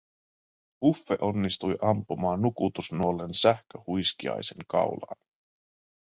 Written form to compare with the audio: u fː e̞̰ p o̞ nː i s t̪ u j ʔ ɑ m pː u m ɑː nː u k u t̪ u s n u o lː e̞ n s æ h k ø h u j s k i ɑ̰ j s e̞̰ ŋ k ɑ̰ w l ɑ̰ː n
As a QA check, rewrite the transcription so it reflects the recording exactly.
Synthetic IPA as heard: u fː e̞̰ ʔ o̞ nː i s t̪ u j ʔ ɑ m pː u m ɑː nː u k u t̪ u s n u o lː e̞ n s æ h k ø h u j s k i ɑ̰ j s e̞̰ ŋ k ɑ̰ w l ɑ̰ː n